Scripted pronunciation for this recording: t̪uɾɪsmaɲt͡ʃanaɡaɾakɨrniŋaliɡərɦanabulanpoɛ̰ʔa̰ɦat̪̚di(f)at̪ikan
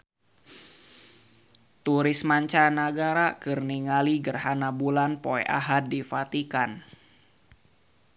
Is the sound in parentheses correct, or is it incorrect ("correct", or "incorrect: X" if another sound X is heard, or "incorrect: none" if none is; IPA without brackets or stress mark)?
correct